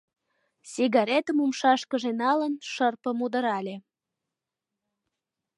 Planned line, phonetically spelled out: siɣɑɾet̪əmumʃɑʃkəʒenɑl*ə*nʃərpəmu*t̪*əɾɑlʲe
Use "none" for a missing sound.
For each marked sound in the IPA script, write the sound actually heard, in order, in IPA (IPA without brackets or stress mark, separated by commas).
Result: ə, d̪